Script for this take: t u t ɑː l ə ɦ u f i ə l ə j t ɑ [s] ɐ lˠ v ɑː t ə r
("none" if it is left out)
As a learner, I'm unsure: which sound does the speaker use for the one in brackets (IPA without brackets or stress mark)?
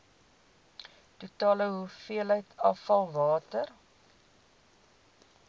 f